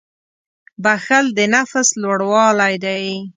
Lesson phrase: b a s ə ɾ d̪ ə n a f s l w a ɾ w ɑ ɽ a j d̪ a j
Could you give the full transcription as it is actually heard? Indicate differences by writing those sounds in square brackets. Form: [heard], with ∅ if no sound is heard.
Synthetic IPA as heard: b a [x] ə [l] d̪ ə n a f s l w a [ɽ] w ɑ [l] a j d̪ a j